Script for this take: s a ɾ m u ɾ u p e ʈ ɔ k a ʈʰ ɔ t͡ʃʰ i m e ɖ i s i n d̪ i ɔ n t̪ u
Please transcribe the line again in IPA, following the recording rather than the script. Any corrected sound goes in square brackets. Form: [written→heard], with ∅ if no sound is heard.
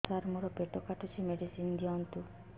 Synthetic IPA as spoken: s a ɾ m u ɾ [u→ɔ] p e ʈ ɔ k a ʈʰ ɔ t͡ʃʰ i m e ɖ i s i n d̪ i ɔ n t̪ u